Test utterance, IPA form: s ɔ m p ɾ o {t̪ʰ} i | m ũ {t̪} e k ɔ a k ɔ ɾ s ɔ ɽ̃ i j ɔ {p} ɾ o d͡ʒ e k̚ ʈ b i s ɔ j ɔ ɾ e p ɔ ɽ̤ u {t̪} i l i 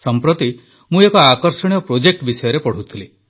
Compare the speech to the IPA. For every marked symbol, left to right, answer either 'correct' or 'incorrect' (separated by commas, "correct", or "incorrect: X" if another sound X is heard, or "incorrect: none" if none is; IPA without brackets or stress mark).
incorrect: t̪, incorrect: none, correct, incorrect: t̪ʰ